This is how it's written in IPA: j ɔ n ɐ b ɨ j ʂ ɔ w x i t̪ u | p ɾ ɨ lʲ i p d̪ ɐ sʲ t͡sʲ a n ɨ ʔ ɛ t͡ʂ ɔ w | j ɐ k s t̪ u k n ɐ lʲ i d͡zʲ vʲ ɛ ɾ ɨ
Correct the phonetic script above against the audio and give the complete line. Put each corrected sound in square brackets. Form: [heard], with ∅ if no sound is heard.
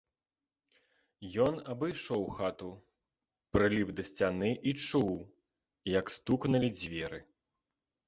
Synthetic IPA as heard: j ɔ n ɐ b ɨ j ʂ ɔ w x [a] t̪ u | p ɾ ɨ lʲ i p d̪ ɐ sʲ t͡sʲ a n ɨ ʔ [i] t͡ʂ [u] w | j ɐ k s t̪ u k n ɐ lʲ i d͡zʲ vʲ ɛ ɾ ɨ